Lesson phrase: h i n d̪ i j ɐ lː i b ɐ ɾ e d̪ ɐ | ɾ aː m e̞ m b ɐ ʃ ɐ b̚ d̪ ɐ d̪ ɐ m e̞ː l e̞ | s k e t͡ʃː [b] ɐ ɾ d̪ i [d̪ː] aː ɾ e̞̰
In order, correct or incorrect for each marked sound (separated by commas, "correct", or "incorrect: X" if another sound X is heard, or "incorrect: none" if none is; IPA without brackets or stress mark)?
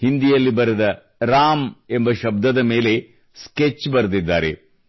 correct, correct